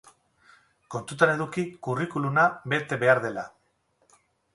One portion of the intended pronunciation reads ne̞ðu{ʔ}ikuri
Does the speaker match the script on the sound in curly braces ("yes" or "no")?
no